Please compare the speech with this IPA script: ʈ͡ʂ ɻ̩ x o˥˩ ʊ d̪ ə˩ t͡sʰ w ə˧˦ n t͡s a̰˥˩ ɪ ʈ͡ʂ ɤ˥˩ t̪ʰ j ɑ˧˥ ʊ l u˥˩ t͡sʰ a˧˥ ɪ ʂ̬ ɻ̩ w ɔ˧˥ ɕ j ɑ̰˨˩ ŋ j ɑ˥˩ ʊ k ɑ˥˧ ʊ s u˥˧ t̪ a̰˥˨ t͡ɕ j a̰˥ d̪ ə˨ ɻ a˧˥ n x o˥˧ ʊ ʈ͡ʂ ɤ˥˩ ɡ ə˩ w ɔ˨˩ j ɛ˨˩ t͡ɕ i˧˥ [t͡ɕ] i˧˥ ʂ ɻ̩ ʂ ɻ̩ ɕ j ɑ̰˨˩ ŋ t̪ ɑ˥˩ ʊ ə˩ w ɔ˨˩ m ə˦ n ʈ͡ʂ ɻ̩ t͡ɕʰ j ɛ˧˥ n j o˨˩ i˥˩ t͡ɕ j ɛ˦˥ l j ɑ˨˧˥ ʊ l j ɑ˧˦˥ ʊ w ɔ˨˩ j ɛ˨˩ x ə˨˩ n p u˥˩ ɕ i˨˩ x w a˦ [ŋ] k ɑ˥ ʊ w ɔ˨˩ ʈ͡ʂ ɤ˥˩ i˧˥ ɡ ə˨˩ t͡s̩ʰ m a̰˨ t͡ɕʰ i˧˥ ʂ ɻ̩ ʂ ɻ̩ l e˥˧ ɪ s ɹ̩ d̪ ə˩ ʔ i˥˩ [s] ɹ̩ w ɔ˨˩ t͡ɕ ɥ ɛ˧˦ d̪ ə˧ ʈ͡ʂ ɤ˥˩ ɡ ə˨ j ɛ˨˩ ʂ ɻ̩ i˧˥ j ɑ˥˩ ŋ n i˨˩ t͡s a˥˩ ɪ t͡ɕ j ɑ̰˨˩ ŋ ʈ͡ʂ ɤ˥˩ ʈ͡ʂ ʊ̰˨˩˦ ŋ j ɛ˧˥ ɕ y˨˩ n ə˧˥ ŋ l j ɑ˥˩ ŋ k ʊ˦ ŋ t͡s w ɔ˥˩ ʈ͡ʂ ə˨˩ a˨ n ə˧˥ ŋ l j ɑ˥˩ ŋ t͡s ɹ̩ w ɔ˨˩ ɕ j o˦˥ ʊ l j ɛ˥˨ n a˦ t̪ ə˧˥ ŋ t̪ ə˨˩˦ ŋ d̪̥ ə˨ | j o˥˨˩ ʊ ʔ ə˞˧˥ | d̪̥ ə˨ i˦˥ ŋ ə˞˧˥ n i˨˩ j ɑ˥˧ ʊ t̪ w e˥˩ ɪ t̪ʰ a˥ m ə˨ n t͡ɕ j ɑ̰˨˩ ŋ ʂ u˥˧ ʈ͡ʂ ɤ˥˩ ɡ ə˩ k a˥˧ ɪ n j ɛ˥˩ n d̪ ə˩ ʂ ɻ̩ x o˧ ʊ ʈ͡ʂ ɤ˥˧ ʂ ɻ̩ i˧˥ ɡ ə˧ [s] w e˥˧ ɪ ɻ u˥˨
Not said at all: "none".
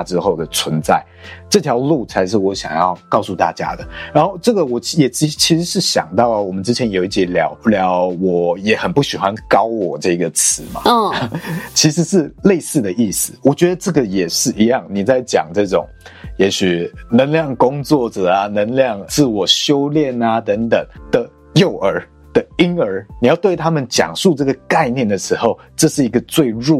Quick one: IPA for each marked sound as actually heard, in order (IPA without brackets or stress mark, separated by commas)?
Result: t͡ɕʰ, n, s, t͡s